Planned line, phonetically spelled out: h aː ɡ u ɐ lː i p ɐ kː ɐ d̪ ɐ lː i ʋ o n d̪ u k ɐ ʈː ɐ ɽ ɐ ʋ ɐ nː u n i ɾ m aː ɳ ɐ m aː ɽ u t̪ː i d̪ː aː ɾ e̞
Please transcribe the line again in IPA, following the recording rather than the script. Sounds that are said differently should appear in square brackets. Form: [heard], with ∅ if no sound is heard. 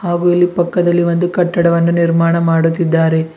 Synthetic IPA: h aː ɡ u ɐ lː i p ɐ kː ɐ d̪ ɐ lː i ʋ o n d̪ u k ɐ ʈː ɐ ɽ ɐ ʋ ɐ nː u n i ɾ m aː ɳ ɐ m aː ɽ u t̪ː i d̪ː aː ɾ e̞